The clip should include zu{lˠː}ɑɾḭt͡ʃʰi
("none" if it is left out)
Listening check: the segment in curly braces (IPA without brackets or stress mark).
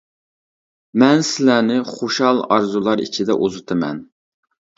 lˠ